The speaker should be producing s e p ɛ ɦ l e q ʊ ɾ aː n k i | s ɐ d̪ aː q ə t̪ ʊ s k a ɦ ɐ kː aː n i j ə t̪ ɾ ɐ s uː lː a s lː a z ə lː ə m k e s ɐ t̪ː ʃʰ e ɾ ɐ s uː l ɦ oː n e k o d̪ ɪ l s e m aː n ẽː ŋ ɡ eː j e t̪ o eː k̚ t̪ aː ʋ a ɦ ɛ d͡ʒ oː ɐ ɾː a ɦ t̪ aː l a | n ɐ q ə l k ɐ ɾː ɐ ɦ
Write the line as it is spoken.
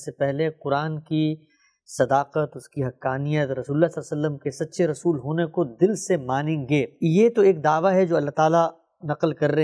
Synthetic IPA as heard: s e p ɛ ɦ l e q ʊ ɾ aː n k i | s ɐ d̪ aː q ə t̪ ʊ s k i ɦ ɐ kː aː n i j ə t̪ ɾ ɐ s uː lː a s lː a s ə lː ə m k e s ɐ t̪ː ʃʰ e ɾ ɐ s uː l ɦ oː n e k o d̪ ɪ l s e m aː n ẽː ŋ ɡ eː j e t̪ o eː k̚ d̪ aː ʋ a ɦ ɛ d͡ʒ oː ɐ lː a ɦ t̪ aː l a | n ɐ q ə l k ɐ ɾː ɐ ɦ